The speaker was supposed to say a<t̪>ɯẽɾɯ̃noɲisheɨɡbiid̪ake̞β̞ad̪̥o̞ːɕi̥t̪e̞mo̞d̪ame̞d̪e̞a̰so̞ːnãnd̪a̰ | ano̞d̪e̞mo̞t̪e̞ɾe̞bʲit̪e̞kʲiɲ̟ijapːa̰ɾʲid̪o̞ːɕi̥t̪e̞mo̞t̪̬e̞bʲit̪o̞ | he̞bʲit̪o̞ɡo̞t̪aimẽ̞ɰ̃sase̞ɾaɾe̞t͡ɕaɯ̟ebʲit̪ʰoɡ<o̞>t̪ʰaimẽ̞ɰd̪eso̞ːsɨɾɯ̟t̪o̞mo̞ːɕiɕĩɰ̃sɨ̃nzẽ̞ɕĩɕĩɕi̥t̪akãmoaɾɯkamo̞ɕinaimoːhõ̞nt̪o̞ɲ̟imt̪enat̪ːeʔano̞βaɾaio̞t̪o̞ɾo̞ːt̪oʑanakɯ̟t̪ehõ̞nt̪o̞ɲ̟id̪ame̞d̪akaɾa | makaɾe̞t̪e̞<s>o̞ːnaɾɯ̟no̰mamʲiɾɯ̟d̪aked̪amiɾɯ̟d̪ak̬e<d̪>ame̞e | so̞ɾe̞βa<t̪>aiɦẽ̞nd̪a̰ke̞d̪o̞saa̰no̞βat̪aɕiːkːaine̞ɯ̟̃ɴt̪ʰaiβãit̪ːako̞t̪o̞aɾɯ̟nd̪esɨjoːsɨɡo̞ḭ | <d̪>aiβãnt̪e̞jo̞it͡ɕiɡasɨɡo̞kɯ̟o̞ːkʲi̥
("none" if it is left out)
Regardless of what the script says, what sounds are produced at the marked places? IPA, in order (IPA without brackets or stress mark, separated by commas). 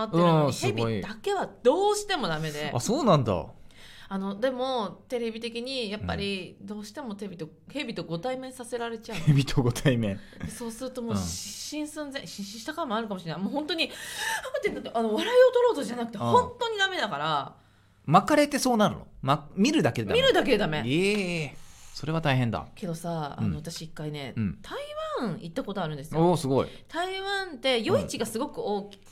t̪, o̞, s, d̪, t̪, t̪